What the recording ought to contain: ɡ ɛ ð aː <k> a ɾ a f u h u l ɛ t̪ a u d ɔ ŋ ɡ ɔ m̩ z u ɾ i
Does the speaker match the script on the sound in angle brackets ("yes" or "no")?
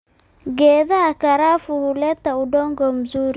yes